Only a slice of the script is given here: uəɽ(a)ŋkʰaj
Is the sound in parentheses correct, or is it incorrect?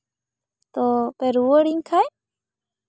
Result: incorrect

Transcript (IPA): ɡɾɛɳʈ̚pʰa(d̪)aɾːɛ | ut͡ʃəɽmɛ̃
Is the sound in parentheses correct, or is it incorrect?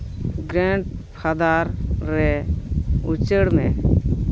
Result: correct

